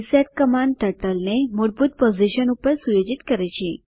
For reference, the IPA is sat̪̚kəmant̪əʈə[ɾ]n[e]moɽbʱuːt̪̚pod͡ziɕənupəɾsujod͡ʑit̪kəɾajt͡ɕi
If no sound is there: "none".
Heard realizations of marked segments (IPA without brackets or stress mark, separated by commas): l, e